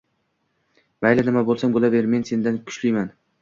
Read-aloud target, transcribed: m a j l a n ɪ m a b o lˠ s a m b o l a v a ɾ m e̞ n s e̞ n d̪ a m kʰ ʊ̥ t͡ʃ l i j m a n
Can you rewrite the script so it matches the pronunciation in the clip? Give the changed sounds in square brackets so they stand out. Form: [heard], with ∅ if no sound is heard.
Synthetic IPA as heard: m a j l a n ɪ m a b o lˠ s a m b o l a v [e] ɾ m e̞ n s e̞ n d̪ a [n] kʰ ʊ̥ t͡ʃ l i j m a n

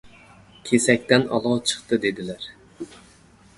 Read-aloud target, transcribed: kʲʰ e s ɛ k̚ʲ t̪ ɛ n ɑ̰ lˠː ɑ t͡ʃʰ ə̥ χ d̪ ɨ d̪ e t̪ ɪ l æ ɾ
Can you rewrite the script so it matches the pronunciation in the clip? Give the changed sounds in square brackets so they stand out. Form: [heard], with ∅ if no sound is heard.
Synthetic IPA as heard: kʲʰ e s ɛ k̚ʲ t̪ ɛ n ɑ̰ [lˠ] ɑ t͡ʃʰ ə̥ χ [t̪] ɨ d̪ e [d̪] ɪ l æ ɾ

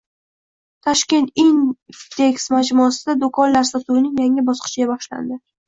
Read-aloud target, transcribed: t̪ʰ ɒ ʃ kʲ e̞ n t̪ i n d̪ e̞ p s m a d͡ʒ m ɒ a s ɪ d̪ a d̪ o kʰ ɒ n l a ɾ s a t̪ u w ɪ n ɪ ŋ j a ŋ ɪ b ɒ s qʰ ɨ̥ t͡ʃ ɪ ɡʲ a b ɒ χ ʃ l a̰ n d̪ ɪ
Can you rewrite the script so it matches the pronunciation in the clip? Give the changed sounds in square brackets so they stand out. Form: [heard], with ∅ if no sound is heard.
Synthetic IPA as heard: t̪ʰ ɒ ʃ kʲ e̞ n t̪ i n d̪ e̞ [k] s m a d͡ʒ m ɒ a s ɪ d̪ a d̪ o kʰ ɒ n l a ɾ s a t̪ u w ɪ n ɪ ŋ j a ŋ ɪ b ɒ s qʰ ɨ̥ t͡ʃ ɪ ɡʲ a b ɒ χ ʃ l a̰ n d̪ ɪ

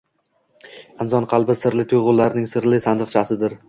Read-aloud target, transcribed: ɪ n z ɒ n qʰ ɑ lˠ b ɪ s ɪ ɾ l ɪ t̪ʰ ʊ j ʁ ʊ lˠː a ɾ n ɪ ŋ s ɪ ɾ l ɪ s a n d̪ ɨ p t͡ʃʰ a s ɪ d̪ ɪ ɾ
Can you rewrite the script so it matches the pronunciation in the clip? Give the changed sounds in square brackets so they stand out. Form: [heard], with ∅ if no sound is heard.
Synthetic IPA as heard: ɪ n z ɒ n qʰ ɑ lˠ b ɪ s ɪ ɾ l ɪ t̪ʰ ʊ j ʁ ʊ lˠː a ɾ n ɪ ŋ s ɪ ɾ l ɪ s a n d̪ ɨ [q] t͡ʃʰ a s ɪ d̪ ɪ ɾ

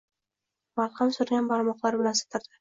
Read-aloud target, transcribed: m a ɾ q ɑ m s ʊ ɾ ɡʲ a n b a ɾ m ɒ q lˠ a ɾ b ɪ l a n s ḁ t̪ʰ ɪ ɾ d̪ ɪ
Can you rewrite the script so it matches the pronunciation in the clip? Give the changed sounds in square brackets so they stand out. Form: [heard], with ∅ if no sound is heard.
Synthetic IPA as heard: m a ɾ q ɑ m s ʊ ɾ ɡʲ a n b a ɾ m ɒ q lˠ a ɾ b ɪ l a n s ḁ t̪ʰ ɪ ɾ d̪ ɪ

